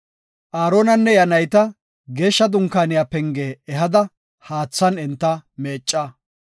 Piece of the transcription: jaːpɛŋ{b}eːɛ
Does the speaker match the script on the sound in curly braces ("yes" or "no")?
no